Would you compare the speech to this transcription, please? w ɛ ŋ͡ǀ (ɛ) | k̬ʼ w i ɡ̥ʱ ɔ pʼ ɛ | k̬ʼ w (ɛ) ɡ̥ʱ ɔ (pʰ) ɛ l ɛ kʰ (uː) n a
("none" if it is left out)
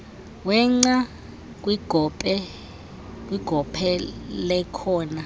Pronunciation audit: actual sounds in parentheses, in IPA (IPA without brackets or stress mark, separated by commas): a, i, pʰ, ɔː